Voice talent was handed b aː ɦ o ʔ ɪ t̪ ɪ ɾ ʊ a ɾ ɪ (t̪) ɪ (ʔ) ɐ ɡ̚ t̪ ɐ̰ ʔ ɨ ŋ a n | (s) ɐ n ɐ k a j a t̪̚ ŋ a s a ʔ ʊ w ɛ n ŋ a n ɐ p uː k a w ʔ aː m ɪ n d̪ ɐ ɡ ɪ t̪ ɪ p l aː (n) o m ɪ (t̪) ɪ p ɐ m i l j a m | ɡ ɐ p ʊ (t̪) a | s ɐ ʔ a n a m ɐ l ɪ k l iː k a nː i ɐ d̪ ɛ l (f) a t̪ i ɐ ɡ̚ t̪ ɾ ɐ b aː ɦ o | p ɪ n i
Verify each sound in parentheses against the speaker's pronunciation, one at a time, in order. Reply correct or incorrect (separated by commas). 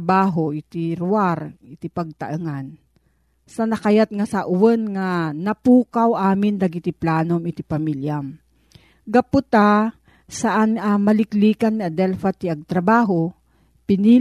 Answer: correct, incorrect, correct, correct, correct, correct, correct